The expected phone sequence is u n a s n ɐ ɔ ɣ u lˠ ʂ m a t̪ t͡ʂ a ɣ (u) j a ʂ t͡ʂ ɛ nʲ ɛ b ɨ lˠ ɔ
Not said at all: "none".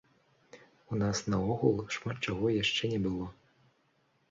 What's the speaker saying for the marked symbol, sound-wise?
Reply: ɔ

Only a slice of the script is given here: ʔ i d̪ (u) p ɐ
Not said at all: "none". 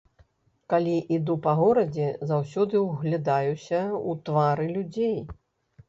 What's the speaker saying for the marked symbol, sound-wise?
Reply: u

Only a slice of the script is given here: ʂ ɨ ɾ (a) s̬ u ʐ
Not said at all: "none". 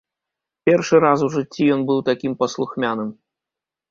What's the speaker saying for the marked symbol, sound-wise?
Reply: a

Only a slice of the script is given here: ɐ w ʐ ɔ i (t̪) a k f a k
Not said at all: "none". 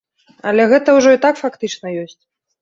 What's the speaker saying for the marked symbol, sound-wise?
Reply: t̪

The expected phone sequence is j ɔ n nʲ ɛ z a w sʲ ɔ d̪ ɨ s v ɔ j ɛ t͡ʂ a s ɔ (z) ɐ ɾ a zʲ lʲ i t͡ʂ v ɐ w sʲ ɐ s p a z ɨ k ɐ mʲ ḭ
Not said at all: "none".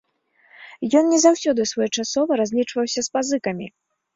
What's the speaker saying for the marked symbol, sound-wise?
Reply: v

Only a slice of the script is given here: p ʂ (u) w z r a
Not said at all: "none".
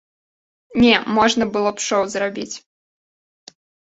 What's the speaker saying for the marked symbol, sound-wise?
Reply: ɔ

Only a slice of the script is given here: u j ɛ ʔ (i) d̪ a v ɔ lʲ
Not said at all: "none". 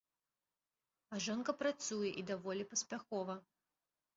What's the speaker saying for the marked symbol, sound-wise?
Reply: i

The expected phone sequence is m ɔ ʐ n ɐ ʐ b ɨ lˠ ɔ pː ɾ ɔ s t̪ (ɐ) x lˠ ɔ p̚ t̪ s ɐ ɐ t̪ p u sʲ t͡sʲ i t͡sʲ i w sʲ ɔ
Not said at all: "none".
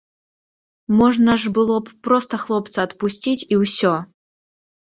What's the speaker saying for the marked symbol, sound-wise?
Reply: ɐ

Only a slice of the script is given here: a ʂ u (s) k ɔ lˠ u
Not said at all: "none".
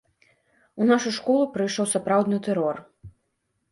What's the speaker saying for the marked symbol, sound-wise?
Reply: ʂ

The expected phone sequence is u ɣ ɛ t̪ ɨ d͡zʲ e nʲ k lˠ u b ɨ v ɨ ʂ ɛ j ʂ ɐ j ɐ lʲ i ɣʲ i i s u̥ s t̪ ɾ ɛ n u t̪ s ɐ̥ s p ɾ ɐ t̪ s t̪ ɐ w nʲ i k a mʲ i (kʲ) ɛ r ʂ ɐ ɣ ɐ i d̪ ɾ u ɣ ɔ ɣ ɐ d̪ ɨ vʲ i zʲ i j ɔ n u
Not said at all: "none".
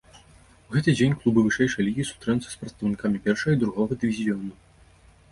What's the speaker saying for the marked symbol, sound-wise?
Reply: pʲ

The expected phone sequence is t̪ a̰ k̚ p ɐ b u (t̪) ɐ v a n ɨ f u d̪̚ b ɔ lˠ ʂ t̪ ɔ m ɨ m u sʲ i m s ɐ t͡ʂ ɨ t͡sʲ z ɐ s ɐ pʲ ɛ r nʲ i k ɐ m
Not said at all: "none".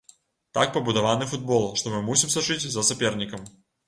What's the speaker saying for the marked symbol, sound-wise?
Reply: d̪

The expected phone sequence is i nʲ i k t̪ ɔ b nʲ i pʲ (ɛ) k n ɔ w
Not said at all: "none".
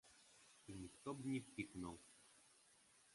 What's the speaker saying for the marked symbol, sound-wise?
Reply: i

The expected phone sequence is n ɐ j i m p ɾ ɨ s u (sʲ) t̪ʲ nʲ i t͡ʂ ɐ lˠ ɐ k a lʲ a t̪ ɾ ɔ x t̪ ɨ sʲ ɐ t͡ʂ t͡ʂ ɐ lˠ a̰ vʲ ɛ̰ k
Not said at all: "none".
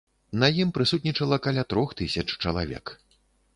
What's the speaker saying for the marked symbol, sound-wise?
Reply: none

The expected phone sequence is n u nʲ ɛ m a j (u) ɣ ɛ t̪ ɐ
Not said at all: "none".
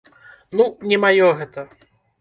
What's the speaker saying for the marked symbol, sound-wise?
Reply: ɔ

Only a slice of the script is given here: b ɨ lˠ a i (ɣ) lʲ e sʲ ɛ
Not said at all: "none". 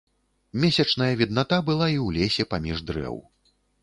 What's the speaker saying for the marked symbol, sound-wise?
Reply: w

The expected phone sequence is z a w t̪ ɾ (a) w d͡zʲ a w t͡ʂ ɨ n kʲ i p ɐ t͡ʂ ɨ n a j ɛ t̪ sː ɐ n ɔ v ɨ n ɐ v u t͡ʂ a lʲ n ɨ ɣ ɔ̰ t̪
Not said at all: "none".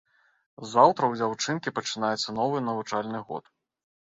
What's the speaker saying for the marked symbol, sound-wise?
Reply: ɐ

